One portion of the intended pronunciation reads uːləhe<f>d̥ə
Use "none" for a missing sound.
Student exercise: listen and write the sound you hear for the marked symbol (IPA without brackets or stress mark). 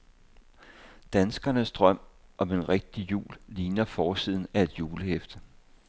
f